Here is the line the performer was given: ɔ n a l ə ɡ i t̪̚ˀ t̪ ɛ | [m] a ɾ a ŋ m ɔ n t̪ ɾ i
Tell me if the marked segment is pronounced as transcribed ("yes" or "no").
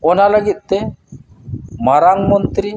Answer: yes